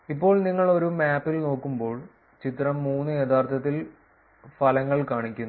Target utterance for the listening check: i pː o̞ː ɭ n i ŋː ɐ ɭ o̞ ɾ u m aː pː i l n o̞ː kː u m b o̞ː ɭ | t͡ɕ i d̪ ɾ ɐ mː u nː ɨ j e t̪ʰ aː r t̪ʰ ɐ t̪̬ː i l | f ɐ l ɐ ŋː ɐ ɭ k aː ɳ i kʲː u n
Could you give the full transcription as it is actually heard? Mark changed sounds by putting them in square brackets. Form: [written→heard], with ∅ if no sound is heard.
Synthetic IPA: i pː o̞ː ɭ n i ŋː ɐ ɭ o̞ ɾ u m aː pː i l n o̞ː kː u m b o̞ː ɭ | t͡ɕ i [d̪→t̪] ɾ ɐ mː [u→uː] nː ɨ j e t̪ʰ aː r t̪ʰ ɐ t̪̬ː i l | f ɐ l ɐ ŋː ɐ ɭ k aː ɳ i kʲː u n